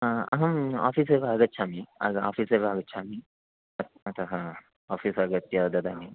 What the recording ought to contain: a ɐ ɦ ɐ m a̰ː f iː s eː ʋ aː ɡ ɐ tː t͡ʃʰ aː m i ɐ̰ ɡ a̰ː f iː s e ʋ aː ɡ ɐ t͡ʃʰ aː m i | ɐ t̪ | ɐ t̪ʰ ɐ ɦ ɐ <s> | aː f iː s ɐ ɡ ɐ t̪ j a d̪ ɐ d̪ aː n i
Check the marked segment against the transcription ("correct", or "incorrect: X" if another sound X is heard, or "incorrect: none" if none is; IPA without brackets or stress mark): incorrect: none